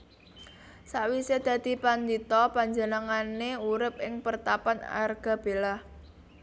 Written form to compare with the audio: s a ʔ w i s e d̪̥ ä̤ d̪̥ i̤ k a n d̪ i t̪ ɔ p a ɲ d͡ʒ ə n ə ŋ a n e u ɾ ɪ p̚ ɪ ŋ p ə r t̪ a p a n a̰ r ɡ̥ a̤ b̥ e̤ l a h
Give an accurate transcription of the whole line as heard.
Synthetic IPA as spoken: s a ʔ w i s e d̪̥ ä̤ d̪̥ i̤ p a n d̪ i t̪ ɔ p a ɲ d͡ʒ ə n ə ŋ a n e u ɾ ɪ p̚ ɪ ŋ p ə r t̪ a p a n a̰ r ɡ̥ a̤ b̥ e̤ l a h